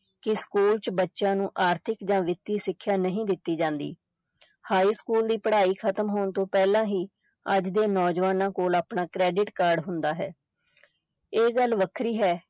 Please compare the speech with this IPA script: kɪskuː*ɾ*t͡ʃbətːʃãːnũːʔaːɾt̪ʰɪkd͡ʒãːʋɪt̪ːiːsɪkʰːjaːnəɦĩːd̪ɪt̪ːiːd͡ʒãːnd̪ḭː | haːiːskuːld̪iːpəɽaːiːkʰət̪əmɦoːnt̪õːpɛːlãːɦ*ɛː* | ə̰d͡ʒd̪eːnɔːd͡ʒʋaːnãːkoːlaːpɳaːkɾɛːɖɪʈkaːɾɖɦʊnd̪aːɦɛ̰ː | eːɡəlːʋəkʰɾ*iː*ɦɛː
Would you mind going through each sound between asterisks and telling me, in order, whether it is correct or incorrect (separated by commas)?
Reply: incorrect, incorrect, correct